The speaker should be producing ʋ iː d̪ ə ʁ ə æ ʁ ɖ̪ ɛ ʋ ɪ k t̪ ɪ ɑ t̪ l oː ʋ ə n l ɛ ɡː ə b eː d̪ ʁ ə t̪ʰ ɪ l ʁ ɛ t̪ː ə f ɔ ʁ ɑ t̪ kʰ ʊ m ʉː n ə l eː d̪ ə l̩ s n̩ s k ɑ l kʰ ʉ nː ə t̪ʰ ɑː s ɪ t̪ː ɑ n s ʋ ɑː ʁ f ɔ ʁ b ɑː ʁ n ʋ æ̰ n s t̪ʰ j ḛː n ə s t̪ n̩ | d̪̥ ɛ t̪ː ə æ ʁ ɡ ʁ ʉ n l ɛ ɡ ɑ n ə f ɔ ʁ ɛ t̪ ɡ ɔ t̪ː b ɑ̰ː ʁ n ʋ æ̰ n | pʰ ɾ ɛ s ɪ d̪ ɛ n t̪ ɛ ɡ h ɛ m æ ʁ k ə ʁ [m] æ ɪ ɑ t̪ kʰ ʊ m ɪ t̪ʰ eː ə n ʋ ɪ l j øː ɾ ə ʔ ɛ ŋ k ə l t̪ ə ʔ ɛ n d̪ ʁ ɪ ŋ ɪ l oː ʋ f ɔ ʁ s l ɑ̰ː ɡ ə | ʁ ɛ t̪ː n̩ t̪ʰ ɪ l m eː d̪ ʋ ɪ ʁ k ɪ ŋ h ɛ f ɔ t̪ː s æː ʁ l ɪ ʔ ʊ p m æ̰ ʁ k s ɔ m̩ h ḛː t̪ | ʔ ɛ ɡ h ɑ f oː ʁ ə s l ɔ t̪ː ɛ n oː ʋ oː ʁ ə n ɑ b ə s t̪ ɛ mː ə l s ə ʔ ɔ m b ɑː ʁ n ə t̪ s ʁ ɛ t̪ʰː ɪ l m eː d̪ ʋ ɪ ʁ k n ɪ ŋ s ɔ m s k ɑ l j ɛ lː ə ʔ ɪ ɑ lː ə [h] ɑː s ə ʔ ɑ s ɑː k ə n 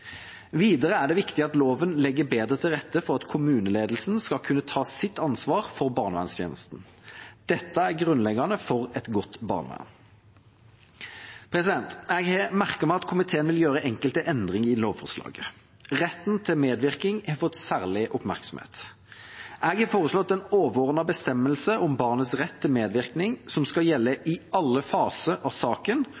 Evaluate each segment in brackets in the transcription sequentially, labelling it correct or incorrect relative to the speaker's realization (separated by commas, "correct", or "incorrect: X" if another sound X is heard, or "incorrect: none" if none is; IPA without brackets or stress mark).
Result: correct, incorrect: f